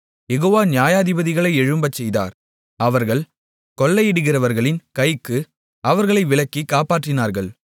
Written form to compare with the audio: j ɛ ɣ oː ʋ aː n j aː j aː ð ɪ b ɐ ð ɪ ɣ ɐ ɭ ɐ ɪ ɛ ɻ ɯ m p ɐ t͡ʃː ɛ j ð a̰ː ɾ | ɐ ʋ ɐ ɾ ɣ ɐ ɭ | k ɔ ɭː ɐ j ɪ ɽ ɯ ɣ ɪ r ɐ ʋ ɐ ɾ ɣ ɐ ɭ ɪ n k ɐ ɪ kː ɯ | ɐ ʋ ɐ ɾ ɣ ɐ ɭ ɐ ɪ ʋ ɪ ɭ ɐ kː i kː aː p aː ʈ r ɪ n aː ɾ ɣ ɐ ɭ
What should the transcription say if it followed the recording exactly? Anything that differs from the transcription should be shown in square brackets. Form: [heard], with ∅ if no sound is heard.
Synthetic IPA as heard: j ɛ ɣ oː ʋ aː n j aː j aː ð ɪ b ɐ ð ɪ ɣ ɐ ɭ ɐ ɪ ɛ ɻ ɯ m [b] ɐ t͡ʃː ɛ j ð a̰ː ɾ | ɐ ʋ ɐ ɾ ɣ ɐ ɭ | k ɔ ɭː ɐ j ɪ ɽ ɯ ɣ ɪ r ɐ ʋ ɐ ɾ ɣ ɐ ɭ ɪ n k ɐ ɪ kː ɯ | ɐ ʋ ɐ ɾ ɣ ɐ ɭ ɐ ɪ ʋ ɪ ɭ ɐ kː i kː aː p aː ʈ r ɪ n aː ɾ ɣ ɐ ɭ

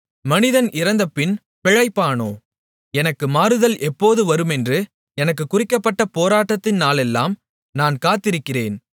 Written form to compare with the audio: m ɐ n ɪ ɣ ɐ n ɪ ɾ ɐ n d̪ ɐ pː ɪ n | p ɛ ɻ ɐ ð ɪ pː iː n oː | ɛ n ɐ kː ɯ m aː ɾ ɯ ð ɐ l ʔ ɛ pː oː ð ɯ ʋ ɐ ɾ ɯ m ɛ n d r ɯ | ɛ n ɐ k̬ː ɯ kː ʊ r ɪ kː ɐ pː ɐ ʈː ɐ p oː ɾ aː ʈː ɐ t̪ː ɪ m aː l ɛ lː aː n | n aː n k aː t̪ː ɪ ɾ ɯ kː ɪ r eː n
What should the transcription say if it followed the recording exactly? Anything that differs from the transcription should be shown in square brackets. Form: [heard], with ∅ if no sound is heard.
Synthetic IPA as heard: m ɐ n ɪ [ð] ɐ n ɪ ɾ ɐ n d̪ ɐ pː ɪ n | p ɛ ɻ ɐ [∅] ɪ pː [aː] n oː | ɛ n ɐ kː ɯ m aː ɾ ɯ ð ɐ l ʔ ɛ pː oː ð ɯ ʋ ɐ ɾ ɯ m ɛ n d r ɯ | ɛ n ɐ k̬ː ɯ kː ʊ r ɪ kː ɐ pː ɐ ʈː ɐ p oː ɾ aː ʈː ɐ t̪ː ɪ [n] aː l ɛ lː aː [m] | n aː n k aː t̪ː ɪ ɾ ɯ kː ɪ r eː n

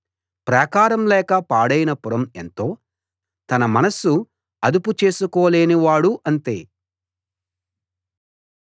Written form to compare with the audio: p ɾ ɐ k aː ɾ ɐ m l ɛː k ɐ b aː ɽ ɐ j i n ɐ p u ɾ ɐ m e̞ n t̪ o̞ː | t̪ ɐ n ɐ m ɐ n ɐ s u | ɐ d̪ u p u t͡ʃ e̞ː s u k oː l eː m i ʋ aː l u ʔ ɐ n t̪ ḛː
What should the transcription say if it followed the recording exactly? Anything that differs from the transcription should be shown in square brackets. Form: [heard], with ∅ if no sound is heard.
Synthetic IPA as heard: p ɾ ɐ k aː ɾ ɐ m l ɛː k ɐ [p] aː ɽ ɐ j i n ɐ p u ɾ ɐ m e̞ n t̪ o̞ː | t̪ ɐ n ɐ m ɐ n ɐ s u | ɐ d̪ u p u t͡ʃ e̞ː s u k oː l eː [n] i ʋ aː [ɽ] u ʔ ɐ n t̪ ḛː

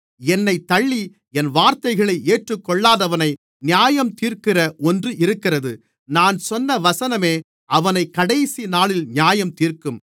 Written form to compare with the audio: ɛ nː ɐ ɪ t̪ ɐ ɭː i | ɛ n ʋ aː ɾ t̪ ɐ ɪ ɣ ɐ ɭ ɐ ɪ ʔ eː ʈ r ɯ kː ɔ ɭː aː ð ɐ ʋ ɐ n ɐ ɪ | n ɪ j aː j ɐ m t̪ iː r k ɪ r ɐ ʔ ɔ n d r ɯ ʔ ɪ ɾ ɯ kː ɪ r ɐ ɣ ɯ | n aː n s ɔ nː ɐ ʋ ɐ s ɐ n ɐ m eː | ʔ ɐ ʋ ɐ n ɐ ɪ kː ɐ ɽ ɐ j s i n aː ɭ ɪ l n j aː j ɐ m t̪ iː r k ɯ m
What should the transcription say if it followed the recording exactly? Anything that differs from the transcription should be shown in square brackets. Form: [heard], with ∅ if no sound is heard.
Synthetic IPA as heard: ɛ nː ɐ ɪ t̪ ɐ ɭː i | ɛ n ʋ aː ɾ t̪ ɐ ɪ ɣ ɐ ɭ ɐ ɪ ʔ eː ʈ r ɯ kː ɔ ɭː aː ð ɐ ʋ ɐ n ɐ ɪ | n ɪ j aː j ɐ m t̪ iː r k ɪ r ɐ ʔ ɔ n d r ɯ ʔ ɪ ɾ ɯ kː ɪ r ɐ [ð] ɯ | n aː n s ɔ nː ɐ ʋ ɐ s ɐ n ɐ m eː | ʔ ɐ ʋ ɐ n ɐ ɪ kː ɐ ɽ ɐ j s i n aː ɭ ɪ l n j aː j ɐ m t̪ iː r k ɯ m

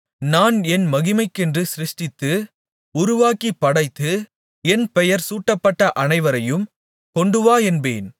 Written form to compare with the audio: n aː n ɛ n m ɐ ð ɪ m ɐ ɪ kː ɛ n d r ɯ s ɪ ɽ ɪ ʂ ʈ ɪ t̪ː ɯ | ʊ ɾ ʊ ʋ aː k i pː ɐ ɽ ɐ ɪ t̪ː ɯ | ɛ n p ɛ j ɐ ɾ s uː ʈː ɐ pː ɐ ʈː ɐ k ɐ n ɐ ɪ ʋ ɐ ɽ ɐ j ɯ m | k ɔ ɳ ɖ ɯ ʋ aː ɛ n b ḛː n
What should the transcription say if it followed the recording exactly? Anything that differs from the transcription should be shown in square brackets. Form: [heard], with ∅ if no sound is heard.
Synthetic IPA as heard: n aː n ɛ n m ɐ [ɣ] ɪ m ɐ ɪ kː ɛ n d r ɯ s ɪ [ɾ] ɪ ʂ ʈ ɪ t̪ː ɯ | ʊ ɾ ʊ ʋ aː k i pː ɐ ɽ ɐ ɪ t̪ː ɯ | ɛ n p ɛ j ɐ ɾ s uː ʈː ɐ pː ɐ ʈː ɐ [ʔ] ɐ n ɐ ɪ ʋ ɐ [ɾ] ɐ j ɯ m | k ɔ ɳ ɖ ɯ ʋ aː ɛ n b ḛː n

